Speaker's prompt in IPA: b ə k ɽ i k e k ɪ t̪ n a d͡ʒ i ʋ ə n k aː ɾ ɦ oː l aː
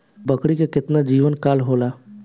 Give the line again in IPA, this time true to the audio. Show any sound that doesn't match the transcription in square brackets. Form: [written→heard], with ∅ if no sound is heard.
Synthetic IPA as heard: b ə k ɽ i k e k ɪ t̪ n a d͡ʒ [i→iː] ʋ ə n k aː [ɾ→l] ɦ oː l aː